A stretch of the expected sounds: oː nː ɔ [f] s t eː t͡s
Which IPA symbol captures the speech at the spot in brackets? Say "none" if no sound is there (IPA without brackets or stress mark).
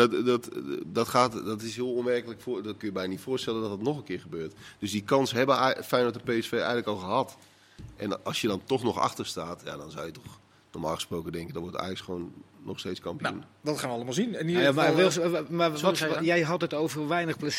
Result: x